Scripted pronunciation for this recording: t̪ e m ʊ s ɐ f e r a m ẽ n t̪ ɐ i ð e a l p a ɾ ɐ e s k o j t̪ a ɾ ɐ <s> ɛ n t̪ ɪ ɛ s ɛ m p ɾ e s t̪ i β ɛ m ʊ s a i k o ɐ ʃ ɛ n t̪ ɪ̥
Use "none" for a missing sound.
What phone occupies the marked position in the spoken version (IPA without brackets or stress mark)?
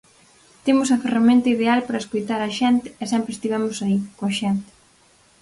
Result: ʃ